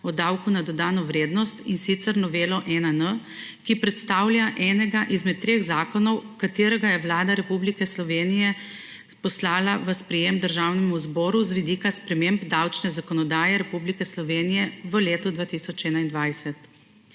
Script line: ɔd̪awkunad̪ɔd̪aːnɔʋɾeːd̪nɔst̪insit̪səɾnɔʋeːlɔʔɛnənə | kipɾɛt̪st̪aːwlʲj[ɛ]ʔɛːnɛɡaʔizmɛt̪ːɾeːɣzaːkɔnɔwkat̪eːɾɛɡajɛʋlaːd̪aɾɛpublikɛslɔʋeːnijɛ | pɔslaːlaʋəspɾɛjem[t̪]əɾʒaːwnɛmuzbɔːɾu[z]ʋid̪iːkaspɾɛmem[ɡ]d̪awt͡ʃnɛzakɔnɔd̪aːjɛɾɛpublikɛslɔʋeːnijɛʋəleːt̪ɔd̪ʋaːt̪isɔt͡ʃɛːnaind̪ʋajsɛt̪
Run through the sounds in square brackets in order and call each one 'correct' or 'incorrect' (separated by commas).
incorrect, incorrect, correct, incorrect